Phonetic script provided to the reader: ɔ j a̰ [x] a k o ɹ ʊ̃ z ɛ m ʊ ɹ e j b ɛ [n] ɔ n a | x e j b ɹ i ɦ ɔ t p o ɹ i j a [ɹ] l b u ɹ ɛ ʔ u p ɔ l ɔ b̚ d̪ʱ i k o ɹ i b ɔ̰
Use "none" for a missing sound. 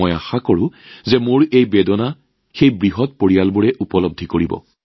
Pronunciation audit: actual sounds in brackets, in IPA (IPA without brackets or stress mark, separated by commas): x, d, none